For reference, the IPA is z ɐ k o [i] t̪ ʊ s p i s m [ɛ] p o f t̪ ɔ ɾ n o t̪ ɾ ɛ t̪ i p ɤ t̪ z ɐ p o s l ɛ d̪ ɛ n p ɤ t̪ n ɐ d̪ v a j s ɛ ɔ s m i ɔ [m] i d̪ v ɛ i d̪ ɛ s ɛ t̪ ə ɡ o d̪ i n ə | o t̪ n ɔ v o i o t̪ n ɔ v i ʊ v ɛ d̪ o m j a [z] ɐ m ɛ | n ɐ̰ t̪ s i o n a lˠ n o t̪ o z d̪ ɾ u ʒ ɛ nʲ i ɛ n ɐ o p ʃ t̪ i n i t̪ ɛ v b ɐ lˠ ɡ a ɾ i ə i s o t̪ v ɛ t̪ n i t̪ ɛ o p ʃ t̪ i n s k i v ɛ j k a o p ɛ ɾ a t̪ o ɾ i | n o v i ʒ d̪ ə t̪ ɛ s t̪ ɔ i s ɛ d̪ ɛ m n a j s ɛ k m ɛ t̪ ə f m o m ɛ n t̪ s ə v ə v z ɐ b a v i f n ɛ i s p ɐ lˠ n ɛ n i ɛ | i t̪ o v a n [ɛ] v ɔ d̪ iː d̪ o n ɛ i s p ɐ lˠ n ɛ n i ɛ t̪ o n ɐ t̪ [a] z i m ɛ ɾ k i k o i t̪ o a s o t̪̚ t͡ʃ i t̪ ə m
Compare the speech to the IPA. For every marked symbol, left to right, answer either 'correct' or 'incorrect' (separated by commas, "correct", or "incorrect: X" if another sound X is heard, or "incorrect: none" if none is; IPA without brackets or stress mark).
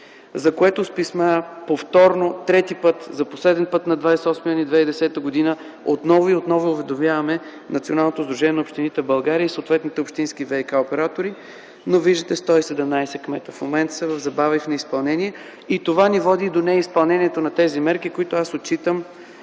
incorrect: ɛ, incorrect: a, incorrect: n, incorrect: v, incorrect: i, incorrect: ɛ